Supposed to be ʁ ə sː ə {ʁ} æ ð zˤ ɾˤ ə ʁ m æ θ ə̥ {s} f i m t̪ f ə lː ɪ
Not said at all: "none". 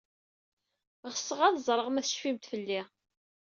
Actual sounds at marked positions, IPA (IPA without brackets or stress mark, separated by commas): ʁ, ʃ